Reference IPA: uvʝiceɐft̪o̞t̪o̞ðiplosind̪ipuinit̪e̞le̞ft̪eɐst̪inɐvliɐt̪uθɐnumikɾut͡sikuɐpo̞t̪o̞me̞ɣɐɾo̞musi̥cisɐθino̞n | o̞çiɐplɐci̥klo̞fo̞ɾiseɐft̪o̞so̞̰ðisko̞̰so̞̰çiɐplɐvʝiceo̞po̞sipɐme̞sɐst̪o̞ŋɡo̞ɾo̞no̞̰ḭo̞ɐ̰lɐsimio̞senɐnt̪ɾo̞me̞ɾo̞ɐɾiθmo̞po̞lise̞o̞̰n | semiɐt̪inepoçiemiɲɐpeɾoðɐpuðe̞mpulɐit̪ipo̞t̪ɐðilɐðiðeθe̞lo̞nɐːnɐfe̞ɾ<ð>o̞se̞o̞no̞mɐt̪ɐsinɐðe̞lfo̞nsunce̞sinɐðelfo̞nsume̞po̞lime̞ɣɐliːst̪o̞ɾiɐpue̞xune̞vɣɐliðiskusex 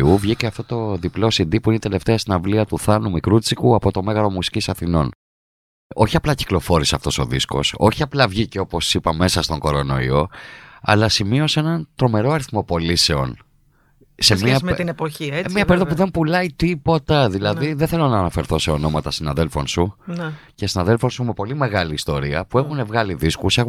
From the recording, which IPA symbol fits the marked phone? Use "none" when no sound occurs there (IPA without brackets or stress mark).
θ